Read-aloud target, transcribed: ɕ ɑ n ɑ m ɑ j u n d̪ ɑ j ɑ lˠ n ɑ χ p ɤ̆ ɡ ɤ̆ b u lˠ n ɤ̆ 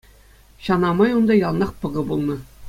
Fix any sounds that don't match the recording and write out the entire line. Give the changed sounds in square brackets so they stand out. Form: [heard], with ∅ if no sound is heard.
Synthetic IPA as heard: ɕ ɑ n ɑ m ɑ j u n d̪ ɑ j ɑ lˠ n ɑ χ p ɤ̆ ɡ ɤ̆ b u lˠ n ɤ̆